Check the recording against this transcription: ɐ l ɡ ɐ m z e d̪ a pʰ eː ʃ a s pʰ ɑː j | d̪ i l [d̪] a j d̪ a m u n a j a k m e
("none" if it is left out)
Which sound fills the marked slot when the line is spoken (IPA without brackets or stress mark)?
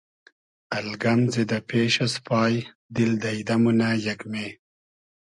d̪